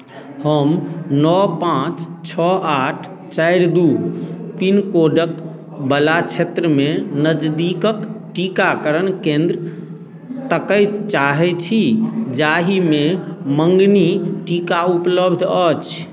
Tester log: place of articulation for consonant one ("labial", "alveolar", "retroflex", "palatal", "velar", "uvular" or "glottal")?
glottal